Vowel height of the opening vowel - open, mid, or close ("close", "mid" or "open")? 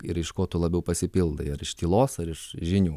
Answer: close